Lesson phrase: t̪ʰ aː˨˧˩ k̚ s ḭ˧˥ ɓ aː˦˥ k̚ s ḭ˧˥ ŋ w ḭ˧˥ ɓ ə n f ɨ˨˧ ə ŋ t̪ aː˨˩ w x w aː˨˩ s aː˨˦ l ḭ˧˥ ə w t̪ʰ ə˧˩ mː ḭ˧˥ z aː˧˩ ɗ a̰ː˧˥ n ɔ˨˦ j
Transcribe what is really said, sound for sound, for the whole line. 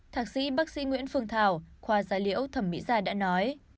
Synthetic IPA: t̪ʰ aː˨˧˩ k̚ s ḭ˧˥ ɓ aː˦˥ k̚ s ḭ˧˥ ŋ w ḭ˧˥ ə n f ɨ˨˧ ə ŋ t̪ʰ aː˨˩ w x w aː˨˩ z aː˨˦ l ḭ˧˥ ə w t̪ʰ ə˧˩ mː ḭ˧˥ z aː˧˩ ɗ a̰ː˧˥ n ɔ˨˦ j